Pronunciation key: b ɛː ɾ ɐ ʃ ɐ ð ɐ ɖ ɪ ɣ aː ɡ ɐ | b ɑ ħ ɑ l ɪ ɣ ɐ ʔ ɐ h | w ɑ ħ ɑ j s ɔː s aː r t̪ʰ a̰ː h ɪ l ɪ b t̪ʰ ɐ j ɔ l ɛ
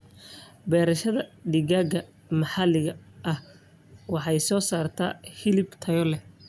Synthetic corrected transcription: b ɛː ɾ ɐ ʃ ɐ ð ɐ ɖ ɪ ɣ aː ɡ ɐ | m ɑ ħ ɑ l ɪ ɣ ɐ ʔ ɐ h | w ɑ ħ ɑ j s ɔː s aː r t̪ʰ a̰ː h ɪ l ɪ b t̪ʰ ɐ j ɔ l ɛ